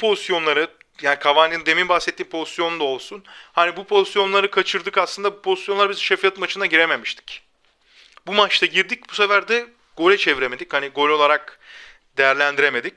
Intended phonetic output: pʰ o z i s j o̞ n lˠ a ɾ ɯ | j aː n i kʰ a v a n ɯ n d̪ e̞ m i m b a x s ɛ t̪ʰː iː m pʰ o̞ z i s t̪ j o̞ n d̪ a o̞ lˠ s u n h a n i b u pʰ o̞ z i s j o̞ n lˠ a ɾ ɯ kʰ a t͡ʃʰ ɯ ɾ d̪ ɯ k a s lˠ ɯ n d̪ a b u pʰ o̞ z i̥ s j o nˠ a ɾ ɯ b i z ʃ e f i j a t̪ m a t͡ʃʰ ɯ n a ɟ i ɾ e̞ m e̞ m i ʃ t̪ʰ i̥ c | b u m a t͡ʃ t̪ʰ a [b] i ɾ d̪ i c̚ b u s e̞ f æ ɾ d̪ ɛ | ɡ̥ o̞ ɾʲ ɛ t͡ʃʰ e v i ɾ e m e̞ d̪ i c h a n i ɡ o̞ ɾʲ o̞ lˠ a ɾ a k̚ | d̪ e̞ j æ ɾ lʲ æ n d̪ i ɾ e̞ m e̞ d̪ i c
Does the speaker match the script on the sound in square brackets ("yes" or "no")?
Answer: no